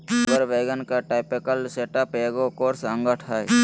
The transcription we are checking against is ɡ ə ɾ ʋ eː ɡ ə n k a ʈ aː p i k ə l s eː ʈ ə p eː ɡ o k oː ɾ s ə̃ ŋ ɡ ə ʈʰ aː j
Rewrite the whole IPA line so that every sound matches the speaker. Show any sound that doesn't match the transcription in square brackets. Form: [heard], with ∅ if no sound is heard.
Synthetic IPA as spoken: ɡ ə ɾ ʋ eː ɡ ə n k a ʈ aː p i k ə l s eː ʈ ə p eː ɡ o k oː ɾ s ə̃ ŋ ɡ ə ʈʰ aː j